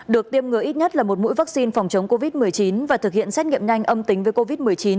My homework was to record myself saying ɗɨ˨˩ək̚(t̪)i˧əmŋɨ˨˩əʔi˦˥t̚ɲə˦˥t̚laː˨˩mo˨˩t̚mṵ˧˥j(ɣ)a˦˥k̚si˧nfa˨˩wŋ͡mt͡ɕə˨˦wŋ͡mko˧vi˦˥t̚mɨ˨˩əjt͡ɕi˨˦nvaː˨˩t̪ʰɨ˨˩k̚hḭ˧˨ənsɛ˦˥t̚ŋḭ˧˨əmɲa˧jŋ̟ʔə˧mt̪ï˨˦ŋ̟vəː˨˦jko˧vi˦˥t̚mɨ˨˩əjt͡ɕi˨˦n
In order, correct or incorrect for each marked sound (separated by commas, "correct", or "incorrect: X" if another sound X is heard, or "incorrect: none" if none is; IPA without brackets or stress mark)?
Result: correct, incorrect: v